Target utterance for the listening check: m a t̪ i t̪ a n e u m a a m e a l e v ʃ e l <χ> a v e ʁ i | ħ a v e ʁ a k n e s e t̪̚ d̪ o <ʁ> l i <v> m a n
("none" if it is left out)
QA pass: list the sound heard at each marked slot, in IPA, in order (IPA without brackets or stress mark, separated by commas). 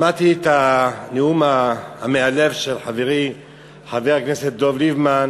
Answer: ħ, v, v